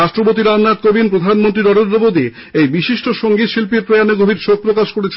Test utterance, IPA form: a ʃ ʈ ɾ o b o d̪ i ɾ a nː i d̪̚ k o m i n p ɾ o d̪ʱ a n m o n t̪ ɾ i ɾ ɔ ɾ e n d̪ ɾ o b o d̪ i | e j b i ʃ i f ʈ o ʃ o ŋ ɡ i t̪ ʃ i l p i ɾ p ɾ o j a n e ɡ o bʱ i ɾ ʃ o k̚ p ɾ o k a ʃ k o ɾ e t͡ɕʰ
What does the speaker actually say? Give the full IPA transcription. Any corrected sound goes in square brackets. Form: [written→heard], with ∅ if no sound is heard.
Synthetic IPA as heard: a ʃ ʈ ɾ o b o [d̪→t̪] i ɾ a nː [i→a] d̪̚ k o [m→b] i n p ɾ o d̪ʱ a n m o n t̪ ɾ i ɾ ɔ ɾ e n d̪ ɾ o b o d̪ i | e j b i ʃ i [f→ʃ] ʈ o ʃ o ŋ ɡ i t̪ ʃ i l p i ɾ p ɾ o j a n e ɡ o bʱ i ɾ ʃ o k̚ p ɾ o k a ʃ k o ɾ e t͡ɕʰ